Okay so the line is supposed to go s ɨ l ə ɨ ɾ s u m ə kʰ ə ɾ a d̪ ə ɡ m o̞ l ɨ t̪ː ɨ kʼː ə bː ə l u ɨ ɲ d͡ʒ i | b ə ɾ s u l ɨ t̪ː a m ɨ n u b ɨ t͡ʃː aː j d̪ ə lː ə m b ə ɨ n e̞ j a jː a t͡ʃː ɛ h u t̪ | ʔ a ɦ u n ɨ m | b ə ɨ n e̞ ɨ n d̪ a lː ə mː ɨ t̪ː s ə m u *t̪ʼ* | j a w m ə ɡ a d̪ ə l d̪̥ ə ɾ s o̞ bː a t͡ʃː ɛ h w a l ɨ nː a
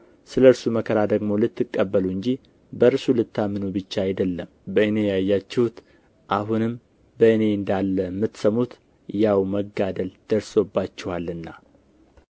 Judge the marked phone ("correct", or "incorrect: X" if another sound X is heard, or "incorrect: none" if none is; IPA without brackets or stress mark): incorrect: t̪